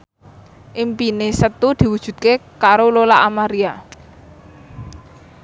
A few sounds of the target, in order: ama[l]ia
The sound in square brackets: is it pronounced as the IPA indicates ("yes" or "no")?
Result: no